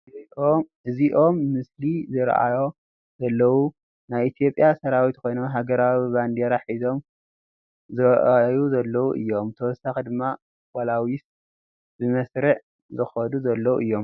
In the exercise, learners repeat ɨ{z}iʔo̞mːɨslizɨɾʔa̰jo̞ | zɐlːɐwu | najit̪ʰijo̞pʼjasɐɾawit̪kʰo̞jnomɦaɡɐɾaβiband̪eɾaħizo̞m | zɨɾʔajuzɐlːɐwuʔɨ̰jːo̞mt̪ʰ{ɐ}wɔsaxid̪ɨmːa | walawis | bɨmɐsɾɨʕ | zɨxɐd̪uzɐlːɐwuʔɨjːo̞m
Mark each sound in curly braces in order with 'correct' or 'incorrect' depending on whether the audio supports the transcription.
correct, correct

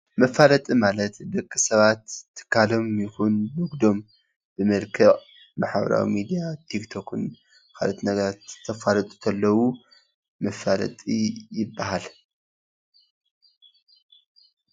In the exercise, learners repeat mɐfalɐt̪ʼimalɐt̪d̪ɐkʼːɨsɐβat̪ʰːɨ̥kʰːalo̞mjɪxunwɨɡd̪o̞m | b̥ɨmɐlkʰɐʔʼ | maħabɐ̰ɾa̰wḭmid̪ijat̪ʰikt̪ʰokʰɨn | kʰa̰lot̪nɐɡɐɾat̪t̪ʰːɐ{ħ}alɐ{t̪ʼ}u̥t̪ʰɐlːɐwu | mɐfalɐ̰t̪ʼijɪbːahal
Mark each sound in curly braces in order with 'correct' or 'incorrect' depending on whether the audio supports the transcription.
incorrect: f, correct

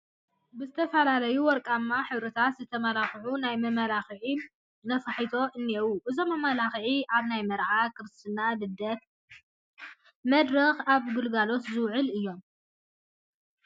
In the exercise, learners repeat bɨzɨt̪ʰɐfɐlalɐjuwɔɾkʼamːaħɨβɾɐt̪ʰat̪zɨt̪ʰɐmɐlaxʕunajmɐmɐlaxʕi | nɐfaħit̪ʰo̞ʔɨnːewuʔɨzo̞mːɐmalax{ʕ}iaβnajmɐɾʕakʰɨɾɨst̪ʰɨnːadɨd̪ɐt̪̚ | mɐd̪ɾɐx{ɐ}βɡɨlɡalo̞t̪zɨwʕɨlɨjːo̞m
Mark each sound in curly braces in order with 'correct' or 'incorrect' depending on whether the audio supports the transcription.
correct, incorrect: a

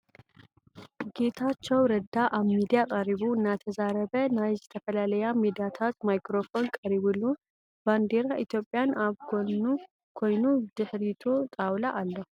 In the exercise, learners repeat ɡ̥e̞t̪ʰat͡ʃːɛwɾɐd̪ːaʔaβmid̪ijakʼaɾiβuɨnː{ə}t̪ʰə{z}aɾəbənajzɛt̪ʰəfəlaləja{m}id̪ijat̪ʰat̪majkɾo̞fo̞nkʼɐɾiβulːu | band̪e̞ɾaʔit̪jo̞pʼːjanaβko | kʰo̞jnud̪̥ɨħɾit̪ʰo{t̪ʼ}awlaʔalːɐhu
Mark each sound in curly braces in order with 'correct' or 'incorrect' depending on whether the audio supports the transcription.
incorrect: a, correct, correct, correct

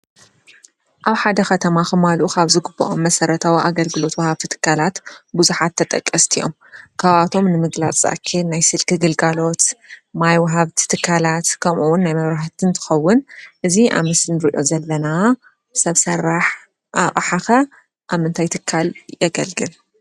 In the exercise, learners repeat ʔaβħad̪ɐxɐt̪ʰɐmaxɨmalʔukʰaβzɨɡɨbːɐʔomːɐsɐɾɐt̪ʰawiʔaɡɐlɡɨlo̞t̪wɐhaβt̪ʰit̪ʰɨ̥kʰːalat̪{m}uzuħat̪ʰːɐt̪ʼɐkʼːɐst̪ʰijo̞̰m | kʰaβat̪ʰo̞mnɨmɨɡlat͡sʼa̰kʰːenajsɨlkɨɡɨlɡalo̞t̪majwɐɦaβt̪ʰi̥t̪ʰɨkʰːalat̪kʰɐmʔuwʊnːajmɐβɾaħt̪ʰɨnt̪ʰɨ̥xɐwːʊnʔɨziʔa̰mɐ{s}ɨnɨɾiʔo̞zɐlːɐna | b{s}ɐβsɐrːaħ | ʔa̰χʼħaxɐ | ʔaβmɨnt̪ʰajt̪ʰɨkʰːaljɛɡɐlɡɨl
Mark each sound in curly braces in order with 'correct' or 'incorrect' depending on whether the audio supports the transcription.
incorrect: b, correct, correct

